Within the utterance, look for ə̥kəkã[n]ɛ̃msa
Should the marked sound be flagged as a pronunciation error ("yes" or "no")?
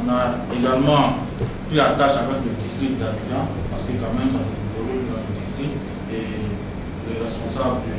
yes